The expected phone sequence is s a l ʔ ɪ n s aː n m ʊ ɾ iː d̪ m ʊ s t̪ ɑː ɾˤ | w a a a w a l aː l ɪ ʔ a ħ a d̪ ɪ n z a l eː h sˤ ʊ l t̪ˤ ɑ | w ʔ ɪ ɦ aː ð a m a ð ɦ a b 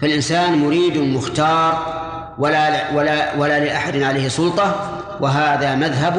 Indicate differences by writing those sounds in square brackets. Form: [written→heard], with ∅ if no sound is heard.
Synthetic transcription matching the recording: [s→f] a l ʔ ɪ n s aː n m ʊ ɾ iː d̪ m ʊ [s→x] t̪ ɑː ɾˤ | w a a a w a l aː l ɪ ʔ a ħ a d̪ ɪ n [z→ʕ] a l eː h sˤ ʊ l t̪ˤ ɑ | w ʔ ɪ ɦ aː ð a m a ð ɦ a b